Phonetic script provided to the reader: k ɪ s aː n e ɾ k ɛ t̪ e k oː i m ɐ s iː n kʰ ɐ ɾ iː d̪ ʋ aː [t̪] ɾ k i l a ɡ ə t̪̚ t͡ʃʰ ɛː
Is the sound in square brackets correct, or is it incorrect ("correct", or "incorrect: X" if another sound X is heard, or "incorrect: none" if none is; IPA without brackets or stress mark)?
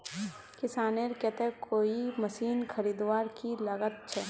incorrect: none